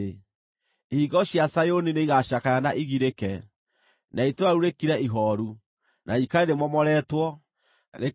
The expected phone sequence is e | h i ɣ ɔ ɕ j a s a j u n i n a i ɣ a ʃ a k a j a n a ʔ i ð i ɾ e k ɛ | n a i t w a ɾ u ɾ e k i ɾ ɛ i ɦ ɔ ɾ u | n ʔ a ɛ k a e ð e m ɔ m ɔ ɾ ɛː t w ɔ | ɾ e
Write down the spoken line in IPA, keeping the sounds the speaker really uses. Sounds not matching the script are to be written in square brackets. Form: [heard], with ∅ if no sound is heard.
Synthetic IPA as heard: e | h i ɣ ɔ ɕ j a s a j [o] n i n [e] i ɣ a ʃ a k a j a n a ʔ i [ɣ] i ɾ e k ɛ | n a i t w a ɾ u ɾ e k i ɾ ɛ i ɦ ɔ ɾ u | n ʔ a [i] k a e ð e m ɔ m ɔ ɾ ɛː t w ɔ | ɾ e